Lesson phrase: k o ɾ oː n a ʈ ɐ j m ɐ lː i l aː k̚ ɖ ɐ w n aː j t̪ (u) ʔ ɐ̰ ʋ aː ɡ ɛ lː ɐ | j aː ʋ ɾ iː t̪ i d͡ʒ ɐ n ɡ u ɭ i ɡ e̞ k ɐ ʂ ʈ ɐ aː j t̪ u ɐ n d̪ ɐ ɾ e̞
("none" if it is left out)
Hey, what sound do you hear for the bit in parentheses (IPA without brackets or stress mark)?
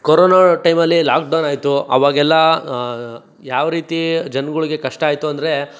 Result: u